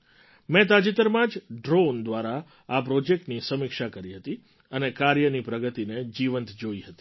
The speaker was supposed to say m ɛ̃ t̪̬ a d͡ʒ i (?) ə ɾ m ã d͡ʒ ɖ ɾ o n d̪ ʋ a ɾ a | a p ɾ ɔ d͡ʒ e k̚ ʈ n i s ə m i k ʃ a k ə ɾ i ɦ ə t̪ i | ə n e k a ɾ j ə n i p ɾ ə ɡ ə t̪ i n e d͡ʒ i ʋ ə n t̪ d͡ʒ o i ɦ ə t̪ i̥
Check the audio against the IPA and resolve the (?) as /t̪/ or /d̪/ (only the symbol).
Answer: t̪